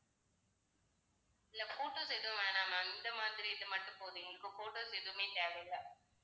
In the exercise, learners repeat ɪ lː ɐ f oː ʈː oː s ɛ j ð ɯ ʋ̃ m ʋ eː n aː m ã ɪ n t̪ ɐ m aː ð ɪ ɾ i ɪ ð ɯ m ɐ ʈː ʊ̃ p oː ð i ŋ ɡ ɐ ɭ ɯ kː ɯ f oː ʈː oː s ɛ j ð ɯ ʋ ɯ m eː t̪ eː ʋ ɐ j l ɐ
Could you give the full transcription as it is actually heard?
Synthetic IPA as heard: ɪ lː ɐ f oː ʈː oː s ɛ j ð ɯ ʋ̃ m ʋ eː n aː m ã ɪ n d̪ ɐ m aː ð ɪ ɾ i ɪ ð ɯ m ɐ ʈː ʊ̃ p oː ð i ŋ ɡ ɐ ɭ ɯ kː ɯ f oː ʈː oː s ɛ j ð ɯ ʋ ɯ m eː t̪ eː ʋ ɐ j l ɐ